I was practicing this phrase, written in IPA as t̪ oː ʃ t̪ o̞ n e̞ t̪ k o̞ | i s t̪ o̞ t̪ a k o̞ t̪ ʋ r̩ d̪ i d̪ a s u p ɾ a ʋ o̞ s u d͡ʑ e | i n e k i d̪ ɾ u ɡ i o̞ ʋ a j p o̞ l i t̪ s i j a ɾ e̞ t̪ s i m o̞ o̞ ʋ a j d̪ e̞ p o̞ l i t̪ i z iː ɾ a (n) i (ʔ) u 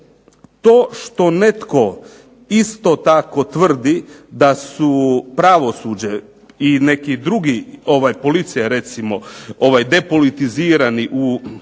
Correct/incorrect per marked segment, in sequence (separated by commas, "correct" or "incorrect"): correct, correct